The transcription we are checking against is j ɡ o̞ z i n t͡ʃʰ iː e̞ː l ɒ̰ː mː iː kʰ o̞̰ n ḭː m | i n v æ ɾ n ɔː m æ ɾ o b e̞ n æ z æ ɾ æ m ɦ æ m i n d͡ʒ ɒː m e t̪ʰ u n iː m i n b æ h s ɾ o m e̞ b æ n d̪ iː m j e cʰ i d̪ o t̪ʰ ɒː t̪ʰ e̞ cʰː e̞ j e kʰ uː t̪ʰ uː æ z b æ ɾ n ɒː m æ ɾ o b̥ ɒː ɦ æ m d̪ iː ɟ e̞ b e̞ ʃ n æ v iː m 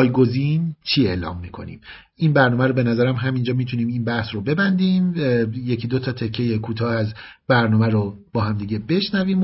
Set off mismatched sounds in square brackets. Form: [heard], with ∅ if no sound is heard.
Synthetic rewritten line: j ɡ o̞ z i n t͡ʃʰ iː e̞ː l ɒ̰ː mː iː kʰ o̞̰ n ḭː m | i n [b] æ ɾ n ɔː m æ ɾ o b e̞ n æ z æ ɾ æ m ɦ æ m i n d͡ʒ ɒː m [i] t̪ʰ u n iː m i n b æ h s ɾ o [b] e̞ b æ n d̪ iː m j e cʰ i d̪ o t̪ʰ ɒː t̪ʰ e̞ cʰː e̞ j e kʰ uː t̪ʰ [ɒː] æ z b æ ɾ n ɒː m æ ɾ o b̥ ɒː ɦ æ m d̪ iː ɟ e̞ b e̞ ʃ n æ v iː m